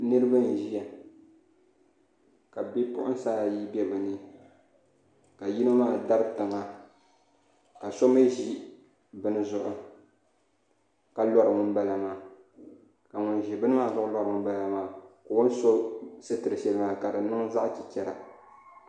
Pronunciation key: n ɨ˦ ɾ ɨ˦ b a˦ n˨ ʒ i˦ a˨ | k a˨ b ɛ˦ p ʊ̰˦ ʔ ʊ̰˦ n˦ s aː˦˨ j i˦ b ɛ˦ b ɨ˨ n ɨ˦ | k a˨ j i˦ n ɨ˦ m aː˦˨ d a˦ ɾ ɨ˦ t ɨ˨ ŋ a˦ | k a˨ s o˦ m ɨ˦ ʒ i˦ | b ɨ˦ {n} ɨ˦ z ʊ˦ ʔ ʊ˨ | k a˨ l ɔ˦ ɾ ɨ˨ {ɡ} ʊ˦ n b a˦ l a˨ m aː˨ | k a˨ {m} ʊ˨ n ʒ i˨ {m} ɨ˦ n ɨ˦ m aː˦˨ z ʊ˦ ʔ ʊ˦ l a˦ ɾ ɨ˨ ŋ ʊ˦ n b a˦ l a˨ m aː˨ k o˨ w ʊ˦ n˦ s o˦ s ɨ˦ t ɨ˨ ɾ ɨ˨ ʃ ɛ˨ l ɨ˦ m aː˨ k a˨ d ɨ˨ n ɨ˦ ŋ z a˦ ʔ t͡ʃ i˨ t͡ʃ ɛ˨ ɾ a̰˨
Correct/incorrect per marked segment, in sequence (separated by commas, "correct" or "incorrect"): correct, incorrect, incorrect, incorrect